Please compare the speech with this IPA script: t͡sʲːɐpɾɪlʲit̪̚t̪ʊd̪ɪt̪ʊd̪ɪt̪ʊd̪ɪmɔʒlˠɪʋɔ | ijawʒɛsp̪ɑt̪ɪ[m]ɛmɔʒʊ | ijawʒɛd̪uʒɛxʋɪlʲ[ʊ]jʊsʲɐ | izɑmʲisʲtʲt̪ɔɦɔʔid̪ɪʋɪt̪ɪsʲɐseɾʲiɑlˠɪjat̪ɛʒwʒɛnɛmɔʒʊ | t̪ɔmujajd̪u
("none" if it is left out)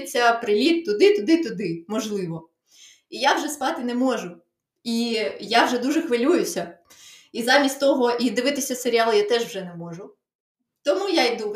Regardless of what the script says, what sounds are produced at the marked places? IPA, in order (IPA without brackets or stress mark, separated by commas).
n, u